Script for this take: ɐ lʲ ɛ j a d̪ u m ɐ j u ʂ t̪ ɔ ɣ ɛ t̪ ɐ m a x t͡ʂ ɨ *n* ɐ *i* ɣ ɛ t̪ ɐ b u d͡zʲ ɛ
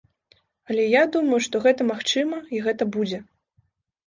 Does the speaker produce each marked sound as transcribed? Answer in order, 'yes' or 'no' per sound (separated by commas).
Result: no, yes